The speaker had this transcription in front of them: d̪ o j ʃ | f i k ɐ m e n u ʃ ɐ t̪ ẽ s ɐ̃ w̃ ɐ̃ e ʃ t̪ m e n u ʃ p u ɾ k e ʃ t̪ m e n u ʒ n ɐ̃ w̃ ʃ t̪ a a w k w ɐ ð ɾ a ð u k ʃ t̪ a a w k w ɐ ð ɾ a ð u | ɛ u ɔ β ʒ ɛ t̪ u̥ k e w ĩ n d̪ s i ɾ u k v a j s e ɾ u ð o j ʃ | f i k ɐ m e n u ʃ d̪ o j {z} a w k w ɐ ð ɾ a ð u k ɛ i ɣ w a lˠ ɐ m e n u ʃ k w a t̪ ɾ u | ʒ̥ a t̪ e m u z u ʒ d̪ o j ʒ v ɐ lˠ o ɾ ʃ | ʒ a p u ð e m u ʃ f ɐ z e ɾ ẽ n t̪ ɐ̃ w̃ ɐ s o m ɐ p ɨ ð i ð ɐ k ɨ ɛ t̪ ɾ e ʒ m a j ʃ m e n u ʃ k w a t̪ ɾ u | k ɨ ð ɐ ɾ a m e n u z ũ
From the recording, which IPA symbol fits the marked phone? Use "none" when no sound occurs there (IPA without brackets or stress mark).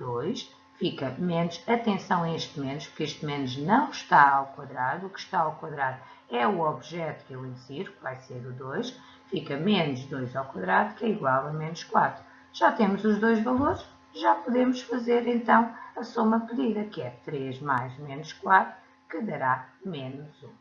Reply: z